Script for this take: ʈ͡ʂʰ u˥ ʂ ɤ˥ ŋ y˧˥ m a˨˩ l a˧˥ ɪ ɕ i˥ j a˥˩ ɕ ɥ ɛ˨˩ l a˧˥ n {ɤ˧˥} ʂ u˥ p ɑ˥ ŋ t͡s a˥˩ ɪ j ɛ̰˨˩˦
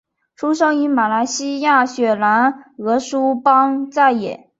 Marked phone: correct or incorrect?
correct